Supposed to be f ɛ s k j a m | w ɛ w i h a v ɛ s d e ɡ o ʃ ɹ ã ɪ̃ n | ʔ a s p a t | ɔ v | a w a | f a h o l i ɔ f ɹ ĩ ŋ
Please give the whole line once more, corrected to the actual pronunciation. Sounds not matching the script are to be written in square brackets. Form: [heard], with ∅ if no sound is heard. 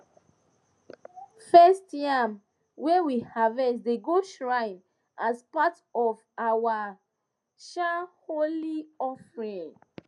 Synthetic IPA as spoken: f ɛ s [t] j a m | w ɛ w i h a v ɛ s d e ɡ o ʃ ɹ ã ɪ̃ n | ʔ a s p a t | ɔ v | a w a | [ʃ] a h o l i ɔ f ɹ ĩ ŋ